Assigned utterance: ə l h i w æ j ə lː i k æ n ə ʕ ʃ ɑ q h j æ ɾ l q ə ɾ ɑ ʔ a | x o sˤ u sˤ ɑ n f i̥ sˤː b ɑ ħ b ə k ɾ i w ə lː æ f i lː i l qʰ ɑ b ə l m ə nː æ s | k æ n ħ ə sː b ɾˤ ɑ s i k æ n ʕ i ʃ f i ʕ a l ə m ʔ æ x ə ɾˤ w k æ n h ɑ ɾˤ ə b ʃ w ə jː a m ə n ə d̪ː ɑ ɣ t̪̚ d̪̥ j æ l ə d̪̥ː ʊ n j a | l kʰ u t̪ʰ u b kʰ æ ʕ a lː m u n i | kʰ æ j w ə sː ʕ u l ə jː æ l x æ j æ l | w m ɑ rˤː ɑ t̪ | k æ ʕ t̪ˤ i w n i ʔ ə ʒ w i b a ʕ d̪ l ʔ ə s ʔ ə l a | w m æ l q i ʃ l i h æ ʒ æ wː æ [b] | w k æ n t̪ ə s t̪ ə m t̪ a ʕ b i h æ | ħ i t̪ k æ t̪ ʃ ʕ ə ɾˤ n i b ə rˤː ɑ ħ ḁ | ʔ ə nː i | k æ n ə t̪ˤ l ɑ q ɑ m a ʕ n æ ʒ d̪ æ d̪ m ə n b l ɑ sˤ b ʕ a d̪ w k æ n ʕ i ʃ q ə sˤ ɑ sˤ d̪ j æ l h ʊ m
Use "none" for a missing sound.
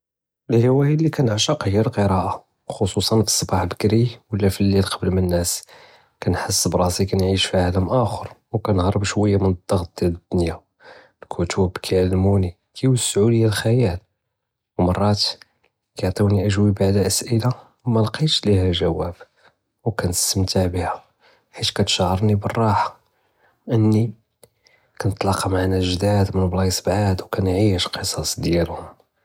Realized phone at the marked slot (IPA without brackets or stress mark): b